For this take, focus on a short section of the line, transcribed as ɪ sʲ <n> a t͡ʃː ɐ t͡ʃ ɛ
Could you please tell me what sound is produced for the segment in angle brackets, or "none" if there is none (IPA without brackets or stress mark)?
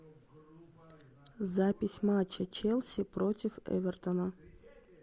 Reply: m